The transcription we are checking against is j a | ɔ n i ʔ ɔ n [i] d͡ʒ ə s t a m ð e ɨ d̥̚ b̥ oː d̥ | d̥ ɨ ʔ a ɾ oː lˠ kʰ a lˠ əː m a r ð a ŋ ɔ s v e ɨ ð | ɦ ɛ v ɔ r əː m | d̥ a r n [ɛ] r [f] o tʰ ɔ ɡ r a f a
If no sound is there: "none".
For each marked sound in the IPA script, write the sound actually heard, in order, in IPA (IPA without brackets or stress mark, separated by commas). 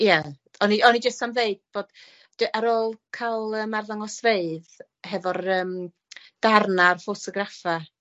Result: i, a, f